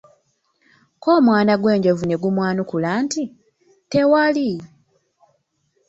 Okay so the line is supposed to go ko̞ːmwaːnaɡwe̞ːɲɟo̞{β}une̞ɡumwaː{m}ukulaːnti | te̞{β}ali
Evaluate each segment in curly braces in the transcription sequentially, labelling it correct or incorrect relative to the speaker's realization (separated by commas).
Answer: incorrect, incorrect, incorrect